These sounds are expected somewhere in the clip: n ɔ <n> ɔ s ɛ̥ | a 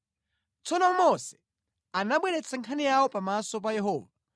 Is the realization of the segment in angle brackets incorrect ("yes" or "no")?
yes